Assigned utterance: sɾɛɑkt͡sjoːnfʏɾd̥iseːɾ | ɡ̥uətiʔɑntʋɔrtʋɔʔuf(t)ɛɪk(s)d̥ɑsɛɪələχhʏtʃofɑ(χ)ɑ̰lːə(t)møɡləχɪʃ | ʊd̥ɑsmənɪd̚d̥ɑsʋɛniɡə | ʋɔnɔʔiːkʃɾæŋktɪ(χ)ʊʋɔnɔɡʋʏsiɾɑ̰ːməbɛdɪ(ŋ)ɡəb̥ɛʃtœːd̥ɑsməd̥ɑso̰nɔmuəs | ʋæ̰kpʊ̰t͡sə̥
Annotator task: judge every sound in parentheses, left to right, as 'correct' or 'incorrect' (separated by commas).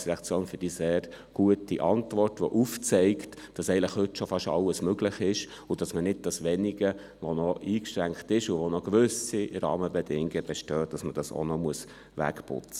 incorrect, incorrect, incorrect, incorrect, incorrect, correct